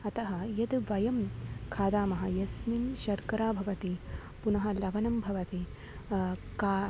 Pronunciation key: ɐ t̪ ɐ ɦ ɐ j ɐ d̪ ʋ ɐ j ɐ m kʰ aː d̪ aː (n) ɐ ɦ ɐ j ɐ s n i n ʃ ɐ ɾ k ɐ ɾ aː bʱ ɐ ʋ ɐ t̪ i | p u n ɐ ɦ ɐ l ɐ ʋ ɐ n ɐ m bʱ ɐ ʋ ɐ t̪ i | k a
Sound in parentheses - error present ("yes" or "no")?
yes